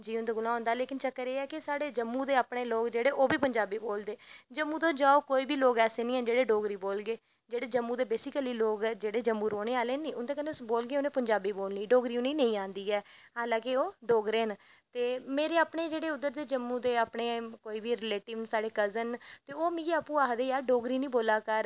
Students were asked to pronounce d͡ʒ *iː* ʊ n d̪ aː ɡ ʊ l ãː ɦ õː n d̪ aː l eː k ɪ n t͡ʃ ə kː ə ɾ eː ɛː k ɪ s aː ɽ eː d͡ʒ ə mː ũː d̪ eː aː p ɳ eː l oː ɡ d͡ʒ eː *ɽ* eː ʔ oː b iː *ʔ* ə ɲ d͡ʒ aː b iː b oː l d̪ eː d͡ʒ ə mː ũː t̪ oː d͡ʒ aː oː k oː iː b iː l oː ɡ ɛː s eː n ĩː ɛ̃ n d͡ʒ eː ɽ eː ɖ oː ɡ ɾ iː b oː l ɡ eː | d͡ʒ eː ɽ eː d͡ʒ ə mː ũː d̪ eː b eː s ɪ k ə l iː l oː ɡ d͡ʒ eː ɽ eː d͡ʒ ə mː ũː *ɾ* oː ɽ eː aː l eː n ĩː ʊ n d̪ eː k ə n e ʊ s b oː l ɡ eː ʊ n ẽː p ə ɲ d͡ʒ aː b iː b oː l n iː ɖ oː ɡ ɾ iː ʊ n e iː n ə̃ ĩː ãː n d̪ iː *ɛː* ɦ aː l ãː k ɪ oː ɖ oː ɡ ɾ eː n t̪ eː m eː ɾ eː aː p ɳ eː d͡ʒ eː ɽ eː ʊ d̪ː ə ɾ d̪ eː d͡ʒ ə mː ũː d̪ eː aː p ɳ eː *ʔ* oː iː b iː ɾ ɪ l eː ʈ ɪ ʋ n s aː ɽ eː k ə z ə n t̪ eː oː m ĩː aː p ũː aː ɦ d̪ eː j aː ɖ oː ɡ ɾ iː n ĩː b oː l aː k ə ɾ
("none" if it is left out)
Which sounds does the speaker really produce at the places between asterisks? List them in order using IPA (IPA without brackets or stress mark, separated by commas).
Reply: iː, ɽ, p, ɾ, ɛː, k